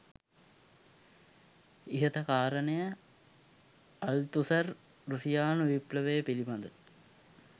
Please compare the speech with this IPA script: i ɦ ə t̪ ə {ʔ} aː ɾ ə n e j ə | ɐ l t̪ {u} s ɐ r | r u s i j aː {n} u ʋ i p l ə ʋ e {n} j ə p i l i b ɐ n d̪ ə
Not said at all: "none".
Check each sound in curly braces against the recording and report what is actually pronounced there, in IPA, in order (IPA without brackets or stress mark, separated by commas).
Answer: k, u, n, none